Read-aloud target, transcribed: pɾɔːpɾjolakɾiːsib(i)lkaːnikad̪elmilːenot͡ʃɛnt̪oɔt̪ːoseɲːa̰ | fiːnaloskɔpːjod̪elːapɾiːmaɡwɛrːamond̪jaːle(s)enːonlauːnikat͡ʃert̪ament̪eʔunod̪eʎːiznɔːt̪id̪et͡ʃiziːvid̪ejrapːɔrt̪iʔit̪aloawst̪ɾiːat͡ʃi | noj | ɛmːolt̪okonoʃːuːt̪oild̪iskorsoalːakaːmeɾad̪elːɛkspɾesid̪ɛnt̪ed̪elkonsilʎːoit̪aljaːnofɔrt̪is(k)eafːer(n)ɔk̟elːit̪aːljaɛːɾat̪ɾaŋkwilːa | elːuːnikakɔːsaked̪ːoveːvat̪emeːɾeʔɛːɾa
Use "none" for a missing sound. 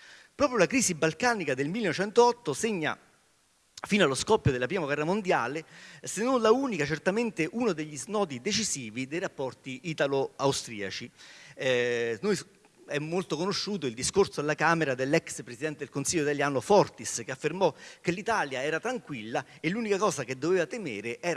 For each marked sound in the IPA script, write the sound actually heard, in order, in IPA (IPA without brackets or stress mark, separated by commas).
a, s, k, m